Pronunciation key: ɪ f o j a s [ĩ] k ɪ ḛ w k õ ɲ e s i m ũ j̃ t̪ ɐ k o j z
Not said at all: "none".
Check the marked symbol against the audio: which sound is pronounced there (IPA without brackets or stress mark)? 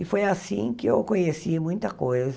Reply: ĩ